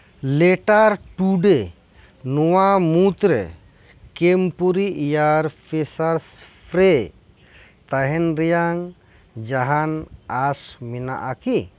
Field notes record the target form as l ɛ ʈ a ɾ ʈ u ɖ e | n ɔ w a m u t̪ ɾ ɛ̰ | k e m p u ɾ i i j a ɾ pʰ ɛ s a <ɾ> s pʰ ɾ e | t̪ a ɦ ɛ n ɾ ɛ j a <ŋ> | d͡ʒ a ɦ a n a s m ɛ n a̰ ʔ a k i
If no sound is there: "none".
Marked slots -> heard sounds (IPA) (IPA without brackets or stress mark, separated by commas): ɾ, ŋ